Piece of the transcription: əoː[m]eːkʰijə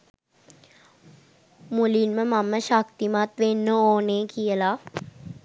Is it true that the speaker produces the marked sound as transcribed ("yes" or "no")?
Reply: no